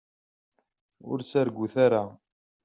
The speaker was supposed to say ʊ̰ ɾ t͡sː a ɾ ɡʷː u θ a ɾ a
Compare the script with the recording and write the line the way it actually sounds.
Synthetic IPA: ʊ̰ ɾ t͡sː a ɾ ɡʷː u θ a ɾ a